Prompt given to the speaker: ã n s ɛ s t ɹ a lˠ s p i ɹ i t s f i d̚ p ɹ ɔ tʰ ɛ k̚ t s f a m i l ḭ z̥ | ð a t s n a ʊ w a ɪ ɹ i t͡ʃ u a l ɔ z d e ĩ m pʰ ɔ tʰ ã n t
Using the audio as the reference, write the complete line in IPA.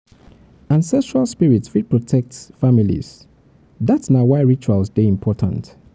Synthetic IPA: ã n s ɛ s t ɹ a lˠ s p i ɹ i t s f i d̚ p ɹ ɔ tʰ ɛ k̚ t s f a m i l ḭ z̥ | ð a t s n a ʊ w a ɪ ɹ i t͡ʃ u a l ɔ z d e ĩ m pʰ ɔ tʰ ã n t